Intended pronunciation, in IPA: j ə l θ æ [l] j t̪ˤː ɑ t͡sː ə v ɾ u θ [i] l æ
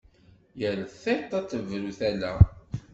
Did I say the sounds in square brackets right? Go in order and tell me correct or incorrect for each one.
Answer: incorrect: none, incorrect: æ

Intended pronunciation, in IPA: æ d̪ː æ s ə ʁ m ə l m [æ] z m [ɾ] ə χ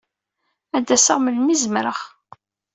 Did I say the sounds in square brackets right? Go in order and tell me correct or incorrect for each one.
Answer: incorrect: i, correct

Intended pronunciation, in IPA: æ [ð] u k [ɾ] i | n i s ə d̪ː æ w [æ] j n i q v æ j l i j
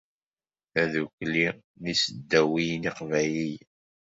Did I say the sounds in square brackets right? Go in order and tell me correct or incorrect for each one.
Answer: correct, incorrect: l, incorrect: i

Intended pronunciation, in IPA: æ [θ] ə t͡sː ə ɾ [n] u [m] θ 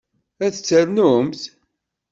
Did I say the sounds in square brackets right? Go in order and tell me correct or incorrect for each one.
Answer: correct, correct, correct

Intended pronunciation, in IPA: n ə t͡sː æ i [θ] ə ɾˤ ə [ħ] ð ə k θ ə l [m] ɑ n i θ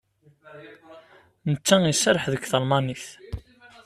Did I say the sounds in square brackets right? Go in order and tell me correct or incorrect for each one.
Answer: incorrect: s, correct, correct

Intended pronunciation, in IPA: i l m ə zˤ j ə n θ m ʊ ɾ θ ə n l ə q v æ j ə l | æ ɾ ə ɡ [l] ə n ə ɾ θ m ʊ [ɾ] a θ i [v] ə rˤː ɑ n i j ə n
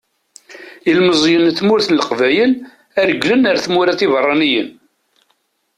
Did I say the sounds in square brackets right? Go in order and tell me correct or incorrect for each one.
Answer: correct, correct, correct

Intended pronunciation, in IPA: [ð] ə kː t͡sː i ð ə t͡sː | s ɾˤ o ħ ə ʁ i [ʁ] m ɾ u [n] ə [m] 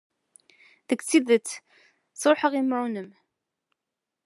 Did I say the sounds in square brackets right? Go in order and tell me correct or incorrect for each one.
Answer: correct, incorrect: none, correct, correct

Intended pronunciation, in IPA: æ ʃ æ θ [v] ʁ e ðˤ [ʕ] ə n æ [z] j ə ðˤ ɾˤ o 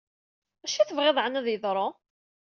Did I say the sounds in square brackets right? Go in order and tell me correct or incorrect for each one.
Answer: correct, correct, incorrect: ð

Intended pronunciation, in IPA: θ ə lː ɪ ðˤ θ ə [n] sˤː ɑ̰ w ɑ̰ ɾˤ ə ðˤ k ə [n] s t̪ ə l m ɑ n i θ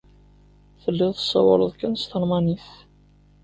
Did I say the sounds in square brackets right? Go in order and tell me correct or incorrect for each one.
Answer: incorrect: none, correct

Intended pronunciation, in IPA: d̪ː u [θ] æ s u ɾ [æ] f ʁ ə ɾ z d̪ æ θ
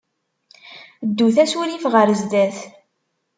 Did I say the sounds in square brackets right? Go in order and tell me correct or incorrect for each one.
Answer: correct, incorrect: i

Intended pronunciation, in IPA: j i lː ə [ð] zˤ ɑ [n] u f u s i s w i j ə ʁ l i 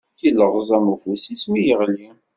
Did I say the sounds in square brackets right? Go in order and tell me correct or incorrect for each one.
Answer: incorrect: ʁ, incorrect: m

